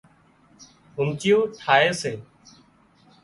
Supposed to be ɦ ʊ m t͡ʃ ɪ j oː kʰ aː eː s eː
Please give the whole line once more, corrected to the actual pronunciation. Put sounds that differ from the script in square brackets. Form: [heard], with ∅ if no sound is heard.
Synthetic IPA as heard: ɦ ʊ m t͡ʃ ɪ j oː [ʈʰ] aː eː s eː

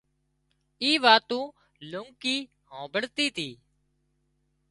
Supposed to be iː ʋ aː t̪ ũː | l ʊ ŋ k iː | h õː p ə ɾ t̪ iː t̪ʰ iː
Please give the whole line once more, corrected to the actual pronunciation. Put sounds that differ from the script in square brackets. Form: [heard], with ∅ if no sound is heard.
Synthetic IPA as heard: iː ʋ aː t̪ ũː | l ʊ ŋ k iː | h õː [b] ə [ɽ] t̪ iː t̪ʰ iː

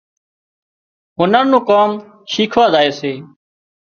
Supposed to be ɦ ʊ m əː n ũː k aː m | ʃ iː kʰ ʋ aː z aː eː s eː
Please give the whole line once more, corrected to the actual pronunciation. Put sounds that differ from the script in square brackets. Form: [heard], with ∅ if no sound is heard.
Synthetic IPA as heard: ɦ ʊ [n] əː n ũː k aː m | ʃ iː kʰ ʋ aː z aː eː s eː

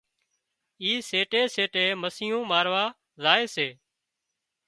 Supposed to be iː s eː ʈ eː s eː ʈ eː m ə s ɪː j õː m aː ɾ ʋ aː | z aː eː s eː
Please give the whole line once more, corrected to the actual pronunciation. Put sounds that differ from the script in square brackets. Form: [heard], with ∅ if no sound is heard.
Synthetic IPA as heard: iː s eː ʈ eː s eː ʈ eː m ə s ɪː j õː m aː ɾ ʋ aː | z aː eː s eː

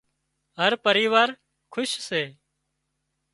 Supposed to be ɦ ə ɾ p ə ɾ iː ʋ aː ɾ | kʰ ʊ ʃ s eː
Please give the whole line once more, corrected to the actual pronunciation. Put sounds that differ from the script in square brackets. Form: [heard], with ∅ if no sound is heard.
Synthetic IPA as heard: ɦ ə ɾ p ə ɾ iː ʋ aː ɾ | kʰ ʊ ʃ s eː

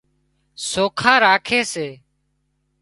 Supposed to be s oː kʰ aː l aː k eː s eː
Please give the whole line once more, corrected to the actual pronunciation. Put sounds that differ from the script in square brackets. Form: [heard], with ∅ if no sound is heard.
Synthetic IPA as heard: s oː kʰ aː [ɾ] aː [kʰ] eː s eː

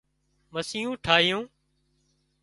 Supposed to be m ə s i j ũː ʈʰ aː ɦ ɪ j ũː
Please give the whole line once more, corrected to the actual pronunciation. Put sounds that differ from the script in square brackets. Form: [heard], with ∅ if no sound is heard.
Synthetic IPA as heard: m ə s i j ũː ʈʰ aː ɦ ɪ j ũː

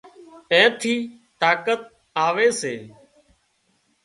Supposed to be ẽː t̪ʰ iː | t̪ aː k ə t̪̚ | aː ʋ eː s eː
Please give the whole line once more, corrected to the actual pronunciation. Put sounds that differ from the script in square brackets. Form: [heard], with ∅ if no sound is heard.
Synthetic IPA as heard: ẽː t̪ʰ iː | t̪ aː k ə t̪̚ | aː ʋ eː s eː

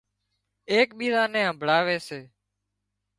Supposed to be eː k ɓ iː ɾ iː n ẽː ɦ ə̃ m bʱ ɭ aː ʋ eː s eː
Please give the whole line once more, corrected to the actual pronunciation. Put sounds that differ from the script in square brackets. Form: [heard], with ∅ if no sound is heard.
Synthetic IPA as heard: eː k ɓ iː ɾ [aː] n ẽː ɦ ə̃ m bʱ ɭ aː ʋ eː s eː

